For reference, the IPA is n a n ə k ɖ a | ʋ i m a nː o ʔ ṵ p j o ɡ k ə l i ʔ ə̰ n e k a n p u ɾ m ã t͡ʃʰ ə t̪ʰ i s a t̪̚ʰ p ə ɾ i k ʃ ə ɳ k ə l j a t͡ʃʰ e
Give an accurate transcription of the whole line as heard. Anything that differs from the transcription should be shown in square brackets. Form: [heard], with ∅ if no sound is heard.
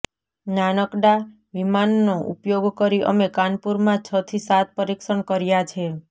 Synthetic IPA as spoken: n a n ə k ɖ a | ʋ i m a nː o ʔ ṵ p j o ɡ k ə [ɾ] i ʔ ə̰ [m] e k a n p u ɾ m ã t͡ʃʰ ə t̪ʰ i s a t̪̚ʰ p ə ɾ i k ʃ ə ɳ k ə [ɾ] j a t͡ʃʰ e